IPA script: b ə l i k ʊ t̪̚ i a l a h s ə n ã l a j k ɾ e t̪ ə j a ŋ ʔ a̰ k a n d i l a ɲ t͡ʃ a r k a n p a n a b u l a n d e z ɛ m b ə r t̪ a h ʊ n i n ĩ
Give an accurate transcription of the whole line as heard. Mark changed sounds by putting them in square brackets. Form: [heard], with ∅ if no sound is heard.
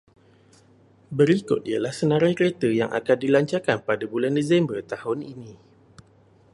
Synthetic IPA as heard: b ə [ɾ] i k ʊ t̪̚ i a l a h s ə n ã [ɾ] a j k ɾ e t̪ ə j a ŋ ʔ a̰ k a n d i l a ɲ t͡ʃ a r k a n p a [d] a b u l a n d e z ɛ m b ə r t̪ a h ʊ n i n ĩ